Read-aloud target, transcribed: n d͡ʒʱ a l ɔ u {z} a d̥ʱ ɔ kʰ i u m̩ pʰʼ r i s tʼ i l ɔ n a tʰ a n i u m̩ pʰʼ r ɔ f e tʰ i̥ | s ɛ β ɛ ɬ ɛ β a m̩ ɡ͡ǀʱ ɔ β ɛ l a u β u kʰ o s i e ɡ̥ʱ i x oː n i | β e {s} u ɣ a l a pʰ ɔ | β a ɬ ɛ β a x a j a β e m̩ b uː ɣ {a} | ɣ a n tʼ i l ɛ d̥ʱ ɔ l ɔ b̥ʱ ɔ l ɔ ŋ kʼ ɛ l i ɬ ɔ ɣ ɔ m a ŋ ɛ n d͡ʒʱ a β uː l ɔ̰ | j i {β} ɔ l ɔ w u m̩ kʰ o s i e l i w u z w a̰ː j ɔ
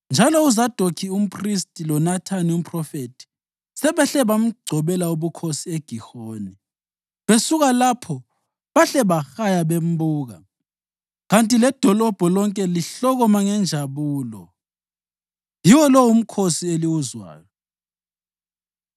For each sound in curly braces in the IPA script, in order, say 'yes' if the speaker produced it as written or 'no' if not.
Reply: yes, yes, yes, no

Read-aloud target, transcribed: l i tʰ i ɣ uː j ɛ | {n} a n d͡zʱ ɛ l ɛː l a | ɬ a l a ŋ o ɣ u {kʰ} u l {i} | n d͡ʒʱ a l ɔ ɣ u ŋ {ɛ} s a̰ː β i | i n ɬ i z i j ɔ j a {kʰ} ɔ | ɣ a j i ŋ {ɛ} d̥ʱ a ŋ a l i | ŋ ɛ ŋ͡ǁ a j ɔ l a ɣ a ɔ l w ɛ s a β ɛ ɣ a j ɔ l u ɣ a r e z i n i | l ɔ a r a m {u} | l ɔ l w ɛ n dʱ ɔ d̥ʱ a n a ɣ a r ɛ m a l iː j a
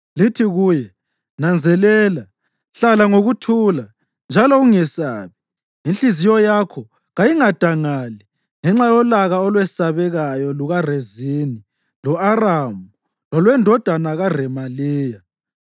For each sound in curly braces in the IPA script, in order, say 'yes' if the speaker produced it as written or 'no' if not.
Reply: yes, no, no, yes, yes, no, yes

